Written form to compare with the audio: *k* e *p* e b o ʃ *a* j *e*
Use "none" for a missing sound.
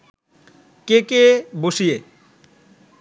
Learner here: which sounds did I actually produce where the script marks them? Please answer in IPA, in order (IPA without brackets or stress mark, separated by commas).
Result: k, k, i, e